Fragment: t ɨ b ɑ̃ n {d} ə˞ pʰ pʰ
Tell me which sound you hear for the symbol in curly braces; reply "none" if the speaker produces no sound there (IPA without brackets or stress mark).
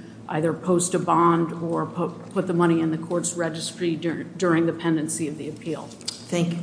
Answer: d